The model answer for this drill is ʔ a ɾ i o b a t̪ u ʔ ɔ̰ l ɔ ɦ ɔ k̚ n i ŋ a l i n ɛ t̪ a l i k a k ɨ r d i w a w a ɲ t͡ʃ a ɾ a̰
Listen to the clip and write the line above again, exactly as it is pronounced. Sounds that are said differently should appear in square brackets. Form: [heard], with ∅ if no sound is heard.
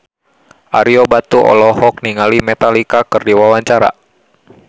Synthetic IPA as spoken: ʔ a ɾ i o b a t̪ u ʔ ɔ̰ l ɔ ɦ ɔ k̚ n i ŋ a l i [m] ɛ t̪ a l i k a k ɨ r d i w a w a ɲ t͡ʃ a ɾ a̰

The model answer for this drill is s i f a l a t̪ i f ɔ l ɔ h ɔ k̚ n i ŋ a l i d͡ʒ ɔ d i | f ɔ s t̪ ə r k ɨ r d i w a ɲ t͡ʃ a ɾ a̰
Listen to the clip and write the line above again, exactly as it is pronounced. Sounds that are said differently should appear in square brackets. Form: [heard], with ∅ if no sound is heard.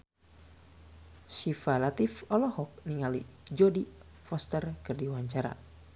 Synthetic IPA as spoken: s i f a l a t̪ i f ɔ l ɔ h ɔ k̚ n i ŋ a l i d͡ʒ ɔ d i | f ɔ s t̪ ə r k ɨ r d i w a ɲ t͡ʃ a ɾ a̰

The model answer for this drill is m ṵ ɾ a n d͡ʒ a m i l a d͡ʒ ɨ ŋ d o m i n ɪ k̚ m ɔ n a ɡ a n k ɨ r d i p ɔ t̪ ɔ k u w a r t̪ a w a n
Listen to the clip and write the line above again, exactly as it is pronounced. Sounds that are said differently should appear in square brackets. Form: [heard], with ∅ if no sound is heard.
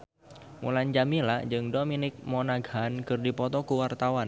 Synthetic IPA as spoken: m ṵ [l] a n d͡ʒ a m i l a d͡ʒ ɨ ŋ d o m i n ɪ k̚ m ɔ n a ɡ a n k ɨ r d i p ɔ t̪ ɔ k u w a r t̪ a w a n

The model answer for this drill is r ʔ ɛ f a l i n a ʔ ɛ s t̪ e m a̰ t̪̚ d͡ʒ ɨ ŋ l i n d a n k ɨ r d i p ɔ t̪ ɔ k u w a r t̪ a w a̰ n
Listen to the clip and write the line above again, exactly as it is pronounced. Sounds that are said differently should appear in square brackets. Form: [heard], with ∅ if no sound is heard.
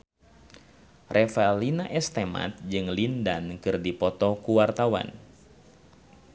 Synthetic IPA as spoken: r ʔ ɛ f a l i n a ʔ ɛ s t̪ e m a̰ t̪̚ d͡ʒ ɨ ŋ l i n d a n k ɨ r d i p ɔ t̪ ɔ k u w a r t̪ a w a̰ n

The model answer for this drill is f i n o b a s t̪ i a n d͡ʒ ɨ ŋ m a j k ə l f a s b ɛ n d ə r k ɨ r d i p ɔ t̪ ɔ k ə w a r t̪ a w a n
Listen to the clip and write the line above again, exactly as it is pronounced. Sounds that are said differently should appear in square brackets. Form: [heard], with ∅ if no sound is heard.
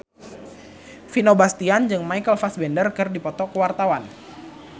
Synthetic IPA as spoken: f i n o b a s t̪ i a n d͡ʒ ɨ ŋ m a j k ə l f a s b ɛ n d ə r k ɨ r d i p ɔ t̪ ɔ k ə w a r t̪ a w a n

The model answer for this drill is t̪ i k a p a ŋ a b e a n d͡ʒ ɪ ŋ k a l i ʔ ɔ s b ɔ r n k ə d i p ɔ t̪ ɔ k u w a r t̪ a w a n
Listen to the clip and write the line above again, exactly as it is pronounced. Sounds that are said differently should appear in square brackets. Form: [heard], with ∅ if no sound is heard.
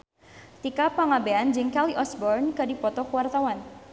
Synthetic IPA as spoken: t̪ i k a p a ŋ a b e a n d͡ʒ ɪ ŋ k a l i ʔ ɔ s b ɔ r n k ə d i p ɔ t̪ ɔ k u w a r t̪ a w a n

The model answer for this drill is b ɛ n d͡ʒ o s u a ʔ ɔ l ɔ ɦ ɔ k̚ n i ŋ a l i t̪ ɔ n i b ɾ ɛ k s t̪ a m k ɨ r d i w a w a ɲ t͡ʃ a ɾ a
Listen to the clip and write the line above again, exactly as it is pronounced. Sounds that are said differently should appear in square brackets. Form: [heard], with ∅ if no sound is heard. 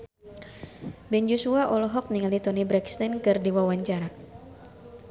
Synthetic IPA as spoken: b ɛ n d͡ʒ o s u a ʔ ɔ l ɔ ɦ ɔ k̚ n i ŋ a l i t̪ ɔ n i b ɾ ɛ k s t̪ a [n] k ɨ r d i w a w a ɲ t͡ʃ a ɾ a

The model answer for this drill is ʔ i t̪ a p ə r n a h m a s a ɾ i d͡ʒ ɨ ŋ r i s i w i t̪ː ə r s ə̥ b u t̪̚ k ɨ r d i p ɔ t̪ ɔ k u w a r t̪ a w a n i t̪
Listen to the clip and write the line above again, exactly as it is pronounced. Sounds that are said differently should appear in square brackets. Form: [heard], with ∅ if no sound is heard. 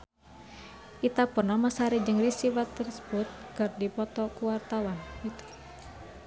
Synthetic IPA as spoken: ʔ i t̪ a p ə r n a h m a s a ɾ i d͡ʒ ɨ ŋ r i s i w [a] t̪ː ə r s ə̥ b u t̪̚ k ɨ r d i p ɔ t̪ ɔ k u w a r t̪ a w a n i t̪

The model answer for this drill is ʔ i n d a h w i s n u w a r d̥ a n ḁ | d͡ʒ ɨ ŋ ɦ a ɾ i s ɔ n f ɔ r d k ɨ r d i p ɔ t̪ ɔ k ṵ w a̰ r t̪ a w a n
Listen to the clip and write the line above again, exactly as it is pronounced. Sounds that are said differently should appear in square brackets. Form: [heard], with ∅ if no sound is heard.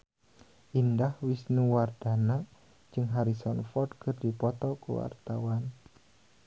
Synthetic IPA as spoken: ʔ i n d a h w i s n u w a r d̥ a n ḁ | d͡ʒ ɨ ŋ ɦ a ɾ i s ɔ n f ɔ r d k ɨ r d i p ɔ t̪ ɔ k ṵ w a̰ r t̪ a w a n

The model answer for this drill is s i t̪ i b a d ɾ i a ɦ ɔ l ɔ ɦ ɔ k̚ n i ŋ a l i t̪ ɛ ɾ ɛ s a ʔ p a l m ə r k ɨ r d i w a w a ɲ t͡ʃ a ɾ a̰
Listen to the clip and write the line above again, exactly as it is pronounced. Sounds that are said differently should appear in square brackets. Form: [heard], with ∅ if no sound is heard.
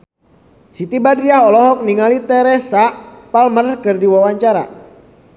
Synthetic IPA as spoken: s i t̪ i b a d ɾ i a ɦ ɔ l ɔ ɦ ɔ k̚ n i ŋ a l i t̪ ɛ ɾ ɛ s a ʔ p a l m ə r k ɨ r d i w a w a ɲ t͡ʃ a ɾ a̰

